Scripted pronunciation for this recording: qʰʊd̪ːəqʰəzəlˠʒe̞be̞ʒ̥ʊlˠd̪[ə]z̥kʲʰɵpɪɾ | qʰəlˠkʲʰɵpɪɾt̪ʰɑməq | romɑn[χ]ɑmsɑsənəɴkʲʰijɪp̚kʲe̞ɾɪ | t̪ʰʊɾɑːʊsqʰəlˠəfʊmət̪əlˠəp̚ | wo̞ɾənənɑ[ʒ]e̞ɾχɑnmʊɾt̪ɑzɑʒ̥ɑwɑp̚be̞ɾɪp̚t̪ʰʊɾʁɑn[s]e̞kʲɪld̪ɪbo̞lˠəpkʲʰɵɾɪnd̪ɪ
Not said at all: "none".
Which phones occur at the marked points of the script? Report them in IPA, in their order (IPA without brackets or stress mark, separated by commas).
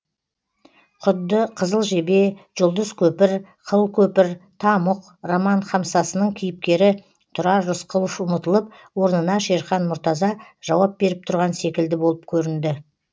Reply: ə, χ, ʃ, s